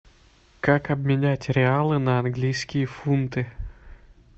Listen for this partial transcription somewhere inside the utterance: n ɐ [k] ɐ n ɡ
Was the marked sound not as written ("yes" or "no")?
yes